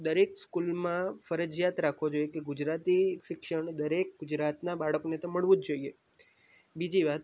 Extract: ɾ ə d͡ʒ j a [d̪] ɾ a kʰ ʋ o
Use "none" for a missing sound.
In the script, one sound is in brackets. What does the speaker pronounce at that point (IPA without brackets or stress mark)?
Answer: t̪